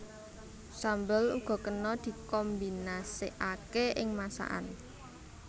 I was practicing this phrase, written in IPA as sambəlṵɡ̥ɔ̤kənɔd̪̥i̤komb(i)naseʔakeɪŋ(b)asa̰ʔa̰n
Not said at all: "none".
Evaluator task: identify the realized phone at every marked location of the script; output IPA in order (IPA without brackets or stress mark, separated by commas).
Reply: i, m